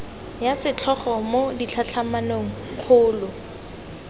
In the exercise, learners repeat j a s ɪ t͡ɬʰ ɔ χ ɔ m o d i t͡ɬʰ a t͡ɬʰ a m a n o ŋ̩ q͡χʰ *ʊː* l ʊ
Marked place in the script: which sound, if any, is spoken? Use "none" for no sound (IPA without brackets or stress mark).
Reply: ʊː